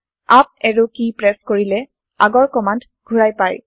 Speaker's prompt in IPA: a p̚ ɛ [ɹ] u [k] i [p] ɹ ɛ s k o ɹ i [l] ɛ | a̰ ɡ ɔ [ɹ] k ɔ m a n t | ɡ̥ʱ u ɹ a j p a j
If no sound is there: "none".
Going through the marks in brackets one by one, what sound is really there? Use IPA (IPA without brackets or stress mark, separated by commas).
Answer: ɹ, k, p, l, ɹ